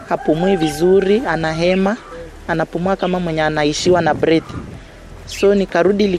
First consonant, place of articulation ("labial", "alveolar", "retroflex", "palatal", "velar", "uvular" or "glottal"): glottal